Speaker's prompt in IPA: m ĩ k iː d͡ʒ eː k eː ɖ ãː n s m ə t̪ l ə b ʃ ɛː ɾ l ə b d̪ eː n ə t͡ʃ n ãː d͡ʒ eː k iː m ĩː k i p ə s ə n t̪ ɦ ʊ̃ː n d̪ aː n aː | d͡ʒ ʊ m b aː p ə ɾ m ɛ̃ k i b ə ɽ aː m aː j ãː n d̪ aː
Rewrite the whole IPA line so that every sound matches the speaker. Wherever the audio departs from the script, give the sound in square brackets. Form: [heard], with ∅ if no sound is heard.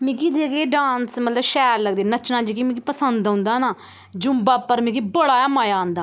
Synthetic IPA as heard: m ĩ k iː d͡ʒ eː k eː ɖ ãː n s m ə t̪ l ə b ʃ ɛː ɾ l ə [ɡ] d̪ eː n ə t͡ʃ n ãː d͡ʒ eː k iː m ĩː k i p ə s ə n [d̪] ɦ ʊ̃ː n d̪ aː n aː | d͡ʒ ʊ m b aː p ə ɾ m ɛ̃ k i b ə ɽ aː m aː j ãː n d̪ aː

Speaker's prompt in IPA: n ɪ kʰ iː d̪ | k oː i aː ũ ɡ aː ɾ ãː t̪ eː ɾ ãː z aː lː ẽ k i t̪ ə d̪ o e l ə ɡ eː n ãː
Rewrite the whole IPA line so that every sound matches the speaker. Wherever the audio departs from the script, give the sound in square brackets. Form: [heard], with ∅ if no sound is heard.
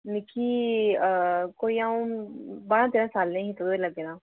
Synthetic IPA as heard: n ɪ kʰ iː [∅] | k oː i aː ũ [b] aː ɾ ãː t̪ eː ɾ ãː [s] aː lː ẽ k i t̪ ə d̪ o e l ə ɡ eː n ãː

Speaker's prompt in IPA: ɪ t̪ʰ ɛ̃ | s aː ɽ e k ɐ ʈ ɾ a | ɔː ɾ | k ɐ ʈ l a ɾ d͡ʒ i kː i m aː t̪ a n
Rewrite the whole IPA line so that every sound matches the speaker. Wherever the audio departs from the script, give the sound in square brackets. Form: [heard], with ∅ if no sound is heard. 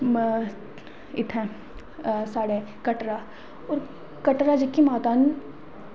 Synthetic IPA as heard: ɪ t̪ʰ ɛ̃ | s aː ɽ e k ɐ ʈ ɾ a | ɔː ɾ | k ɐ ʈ [ɾ] a [∅] d͡ʒ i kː i m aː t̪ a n

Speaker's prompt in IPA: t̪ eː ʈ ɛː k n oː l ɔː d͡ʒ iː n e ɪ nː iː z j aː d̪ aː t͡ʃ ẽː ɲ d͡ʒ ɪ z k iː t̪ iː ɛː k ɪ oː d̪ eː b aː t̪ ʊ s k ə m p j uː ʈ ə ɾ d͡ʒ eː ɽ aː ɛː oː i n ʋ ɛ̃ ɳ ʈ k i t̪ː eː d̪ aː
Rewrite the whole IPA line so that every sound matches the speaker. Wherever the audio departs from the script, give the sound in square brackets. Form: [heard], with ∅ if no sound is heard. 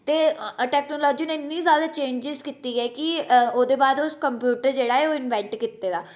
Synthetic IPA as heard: t̪ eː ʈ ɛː k n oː l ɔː d͡ʒ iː n e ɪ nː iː z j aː d̪ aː t͡ʃ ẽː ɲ d͡ʒ ɪ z k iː t̪ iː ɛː k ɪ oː d̪ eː b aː [d̪] ʊ s k ə m p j uː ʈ ə ɾ d͡ʒ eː ɽ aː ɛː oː [ɪ] n ʋ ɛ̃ ɳ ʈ k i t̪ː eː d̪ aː

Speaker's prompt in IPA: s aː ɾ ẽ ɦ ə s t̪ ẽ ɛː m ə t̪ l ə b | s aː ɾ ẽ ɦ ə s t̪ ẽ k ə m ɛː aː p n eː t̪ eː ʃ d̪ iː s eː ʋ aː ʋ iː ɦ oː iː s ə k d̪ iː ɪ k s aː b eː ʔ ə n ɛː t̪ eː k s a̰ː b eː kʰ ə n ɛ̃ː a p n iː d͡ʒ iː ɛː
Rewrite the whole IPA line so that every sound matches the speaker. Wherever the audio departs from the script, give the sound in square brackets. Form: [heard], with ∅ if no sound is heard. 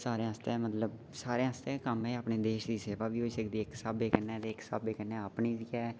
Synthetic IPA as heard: s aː ɾ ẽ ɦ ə s t̪ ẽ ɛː m ə t̪ l ə b | s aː ɾ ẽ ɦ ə s t̪ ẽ k ə m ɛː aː p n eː [d̪] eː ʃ d̪ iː s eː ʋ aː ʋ iː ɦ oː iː s ə k d̪ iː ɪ k s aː b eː [k] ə n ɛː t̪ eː k s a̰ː b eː [k] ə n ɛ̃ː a p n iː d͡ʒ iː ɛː

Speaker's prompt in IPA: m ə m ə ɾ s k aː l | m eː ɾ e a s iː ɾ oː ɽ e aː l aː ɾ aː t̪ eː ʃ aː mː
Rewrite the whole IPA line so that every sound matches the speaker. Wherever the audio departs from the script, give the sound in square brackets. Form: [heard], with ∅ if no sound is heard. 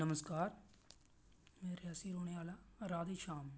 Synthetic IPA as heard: [n] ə m ə [∅] s k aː [ɾ] | m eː ɾ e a s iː ɾ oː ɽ e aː l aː ɾ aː [d̪] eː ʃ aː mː

